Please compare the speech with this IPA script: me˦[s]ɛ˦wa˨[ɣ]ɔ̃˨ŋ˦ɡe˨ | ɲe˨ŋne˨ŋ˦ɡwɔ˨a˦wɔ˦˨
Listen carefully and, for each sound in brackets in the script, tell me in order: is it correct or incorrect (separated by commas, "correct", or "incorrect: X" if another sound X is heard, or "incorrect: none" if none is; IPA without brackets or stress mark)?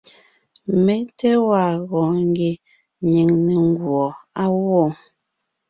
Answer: incorrect: t, correct